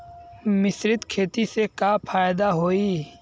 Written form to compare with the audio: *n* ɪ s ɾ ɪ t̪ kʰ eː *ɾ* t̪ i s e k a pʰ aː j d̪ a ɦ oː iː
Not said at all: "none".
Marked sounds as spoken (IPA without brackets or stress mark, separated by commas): m, none